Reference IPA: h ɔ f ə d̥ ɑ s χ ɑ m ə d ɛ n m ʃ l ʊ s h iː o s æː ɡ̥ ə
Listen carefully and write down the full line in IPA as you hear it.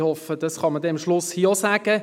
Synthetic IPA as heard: h ɔ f ə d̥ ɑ s χ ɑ m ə d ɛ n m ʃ l ʊ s h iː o s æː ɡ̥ ə